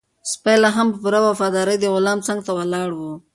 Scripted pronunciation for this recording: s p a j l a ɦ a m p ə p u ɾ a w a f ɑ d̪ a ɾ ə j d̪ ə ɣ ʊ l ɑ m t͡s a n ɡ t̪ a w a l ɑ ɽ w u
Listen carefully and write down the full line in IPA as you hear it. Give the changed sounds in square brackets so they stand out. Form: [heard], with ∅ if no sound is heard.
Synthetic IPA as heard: s p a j l a ɦ a m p ə p u ɾ a w a f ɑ d̪ [ɑ] ɾ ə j d̪ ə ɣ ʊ l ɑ m t͡s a [ŋ] ɡ t̪ a w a l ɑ ɽ w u

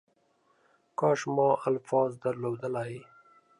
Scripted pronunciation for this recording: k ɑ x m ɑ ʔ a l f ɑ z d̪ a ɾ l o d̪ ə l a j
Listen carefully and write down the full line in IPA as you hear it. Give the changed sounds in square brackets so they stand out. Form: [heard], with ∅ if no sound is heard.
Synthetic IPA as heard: k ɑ [ʃ] m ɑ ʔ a l f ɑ z d̪ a ɾ l o d̪ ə l a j

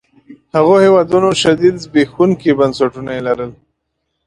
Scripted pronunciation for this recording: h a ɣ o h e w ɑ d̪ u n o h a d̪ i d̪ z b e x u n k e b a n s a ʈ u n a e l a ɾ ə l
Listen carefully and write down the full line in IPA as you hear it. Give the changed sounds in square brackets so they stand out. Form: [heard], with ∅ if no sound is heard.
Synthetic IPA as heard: h a ɣ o h e w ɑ d̪ u n o [ʃ] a d̪ i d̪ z b e x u n k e b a n s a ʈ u n a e l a ɾ ə l

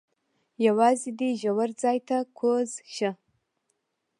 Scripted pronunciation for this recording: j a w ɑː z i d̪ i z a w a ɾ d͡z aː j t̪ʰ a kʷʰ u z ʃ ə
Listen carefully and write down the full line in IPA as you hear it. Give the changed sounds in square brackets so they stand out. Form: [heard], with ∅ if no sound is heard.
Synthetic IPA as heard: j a w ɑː z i d̪ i [ʒ] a w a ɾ d͡z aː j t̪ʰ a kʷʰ [o] z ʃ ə

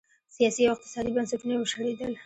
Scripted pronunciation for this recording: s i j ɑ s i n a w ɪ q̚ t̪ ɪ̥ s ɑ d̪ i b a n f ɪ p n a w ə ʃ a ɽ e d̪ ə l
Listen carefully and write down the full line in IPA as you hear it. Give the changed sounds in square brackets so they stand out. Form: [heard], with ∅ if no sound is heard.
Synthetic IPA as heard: s i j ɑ s i [∅] a w ɪ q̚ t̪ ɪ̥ s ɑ d̪ i b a n [s] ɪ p n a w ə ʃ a ɽ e d̪ ə l

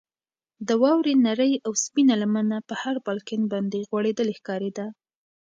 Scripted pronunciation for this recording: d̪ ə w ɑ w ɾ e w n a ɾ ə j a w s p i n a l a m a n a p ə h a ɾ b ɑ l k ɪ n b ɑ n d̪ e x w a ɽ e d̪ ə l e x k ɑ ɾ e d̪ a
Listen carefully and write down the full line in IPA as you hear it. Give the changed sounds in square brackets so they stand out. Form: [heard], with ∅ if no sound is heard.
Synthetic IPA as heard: d̪ ə w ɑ w ɾ e [∅] n a ɾ ə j a w s p i n a l a m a n a p ə h a ɾ b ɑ l k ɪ n b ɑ n d̪ e [ɣ] w a ɽ e d̪ ə l e x k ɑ ɾ e d̪ a

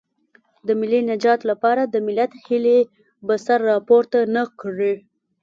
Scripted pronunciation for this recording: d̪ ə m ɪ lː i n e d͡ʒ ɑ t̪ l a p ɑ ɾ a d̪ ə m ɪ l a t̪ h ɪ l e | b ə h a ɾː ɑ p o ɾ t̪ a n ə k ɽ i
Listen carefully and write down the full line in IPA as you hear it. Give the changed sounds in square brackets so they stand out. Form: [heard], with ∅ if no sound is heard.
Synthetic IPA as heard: d̪ ə m ɪ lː i n [a] d͡ʒ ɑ t̪ l a p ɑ ɾ a d̪ ə m ɪ l a t̪ h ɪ l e | b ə [s] a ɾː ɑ p o ɾ t̪ a n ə k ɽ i

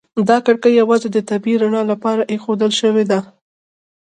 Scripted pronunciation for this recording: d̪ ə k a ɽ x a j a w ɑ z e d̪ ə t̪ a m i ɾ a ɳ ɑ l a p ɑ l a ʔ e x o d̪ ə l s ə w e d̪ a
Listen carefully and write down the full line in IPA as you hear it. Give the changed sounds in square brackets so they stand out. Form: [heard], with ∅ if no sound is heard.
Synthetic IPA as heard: d̪ [ɑ] k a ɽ [k] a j a w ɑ z e d̪ ə t̪ a [b] i ɾ a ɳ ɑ l a p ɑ [ɾ] a ʔ e x o d̪ ə l [ʃ] ə w e d̪ a

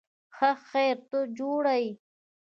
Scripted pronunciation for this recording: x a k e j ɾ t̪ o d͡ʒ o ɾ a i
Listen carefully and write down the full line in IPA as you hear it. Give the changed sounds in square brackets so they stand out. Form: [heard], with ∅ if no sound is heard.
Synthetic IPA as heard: x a [x] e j ɾ t̪ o d͡ʒ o [ɽ] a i

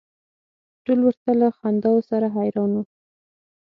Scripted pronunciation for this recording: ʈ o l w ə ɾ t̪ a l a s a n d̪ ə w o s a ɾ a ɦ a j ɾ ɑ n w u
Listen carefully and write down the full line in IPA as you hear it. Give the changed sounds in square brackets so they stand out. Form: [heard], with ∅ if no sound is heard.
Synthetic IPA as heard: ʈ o l w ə ɾ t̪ a l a [x] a n d̪ [ɑ] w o s a ɾ a ɦ a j ɾ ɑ n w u

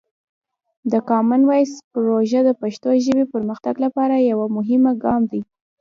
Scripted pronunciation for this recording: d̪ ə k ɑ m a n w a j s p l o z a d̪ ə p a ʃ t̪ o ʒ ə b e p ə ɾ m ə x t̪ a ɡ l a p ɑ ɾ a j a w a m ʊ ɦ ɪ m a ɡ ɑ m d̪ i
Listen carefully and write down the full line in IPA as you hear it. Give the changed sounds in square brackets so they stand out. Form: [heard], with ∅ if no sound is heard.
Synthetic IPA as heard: d̪ ə k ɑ m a n w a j s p [ɾ] o [ʒ] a d̪ ə p a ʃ t̪ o ʒ ə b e p ə ɾ m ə x t̪ a ɡ l a p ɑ ɾ a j a w a m ʊ ɦ ɪ m a ɡ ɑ m d̪ i

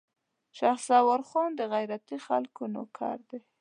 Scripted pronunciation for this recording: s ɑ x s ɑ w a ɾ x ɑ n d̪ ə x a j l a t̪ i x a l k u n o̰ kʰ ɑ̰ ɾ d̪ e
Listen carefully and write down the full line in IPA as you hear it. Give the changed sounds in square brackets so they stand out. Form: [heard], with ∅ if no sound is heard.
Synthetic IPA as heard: [ʃ] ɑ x s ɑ w a ɾ x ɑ n d̪ ə [ɣ] a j [ɾ] a t̪ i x a l k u n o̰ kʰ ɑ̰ ɾ d̪ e

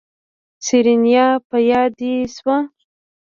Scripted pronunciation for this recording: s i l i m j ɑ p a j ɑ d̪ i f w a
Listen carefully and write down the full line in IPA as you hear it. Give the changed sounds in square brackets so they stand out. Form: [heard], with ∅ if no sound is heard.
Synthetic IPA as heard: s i [ɾ] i [n] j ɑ p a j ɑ d̪ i [s] w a

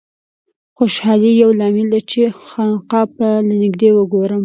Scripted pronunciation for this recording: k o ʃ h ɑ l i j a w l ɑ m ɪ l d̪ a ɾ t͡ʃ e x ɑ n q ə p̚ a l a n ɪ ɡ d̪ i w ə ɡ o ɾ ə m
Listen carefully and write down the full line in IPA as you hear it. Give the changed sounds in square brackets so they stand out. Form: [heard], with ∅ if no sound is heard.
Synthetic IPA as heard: [x] o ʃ h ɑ l i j a w l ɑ m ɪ l d̪ a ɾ t͡ʃ e x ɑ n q [ɑ] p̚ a l a n ɪ ɡ d̪ [e] w ə ɡ o ɾ ə m

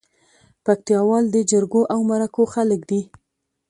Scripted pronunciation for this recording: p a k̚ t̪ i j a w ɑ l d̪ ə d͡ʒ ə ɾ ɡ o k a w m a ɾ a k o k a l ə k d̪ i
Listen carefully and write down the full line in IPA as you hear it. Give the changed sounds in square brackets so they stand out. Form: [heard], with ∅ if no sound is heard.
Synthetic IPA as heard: p a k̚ t̪ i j [ɑ] w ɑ l d̪ ə d͡ʒ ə ɾ ɡ o [ʔ] a w m a ɾ a k o [x] a l ə k d̪ i

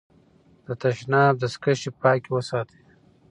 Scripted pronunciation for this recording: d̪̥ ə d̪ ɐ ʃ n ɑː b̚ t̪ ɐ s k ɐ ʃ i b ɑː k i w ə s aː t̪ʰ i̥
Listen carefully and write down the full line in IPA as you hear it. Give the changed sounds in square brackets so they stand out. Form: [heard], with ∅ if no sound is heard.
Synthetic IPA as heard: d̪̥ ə [t̪] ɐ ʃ n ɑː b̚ [d̪] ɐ s k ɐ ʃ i [p] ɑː k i w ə s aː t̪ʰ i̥

